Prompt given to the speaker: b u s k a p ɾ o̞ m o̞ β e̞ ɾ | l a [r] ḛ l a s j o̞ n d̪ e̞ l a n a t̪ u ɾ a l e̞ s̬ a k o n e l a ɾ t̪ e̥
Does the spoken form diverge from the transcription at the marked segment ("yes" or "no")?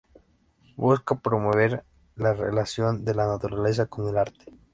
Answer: no